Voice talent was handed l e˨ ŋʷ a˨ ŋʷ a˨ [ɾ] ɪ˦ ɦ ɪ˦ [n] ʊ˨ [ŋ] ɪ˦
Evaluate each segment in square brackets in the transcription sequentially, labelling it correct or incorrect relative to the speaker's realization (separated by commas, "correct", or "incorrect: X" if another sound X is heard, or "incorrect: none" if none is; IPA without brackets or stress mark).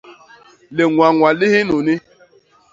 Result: incorrect: l, correct, incorrect: n